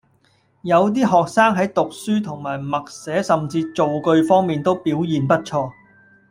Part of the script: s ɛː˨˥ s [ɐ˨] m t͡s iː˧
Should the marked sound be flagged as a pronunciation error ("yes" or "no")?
no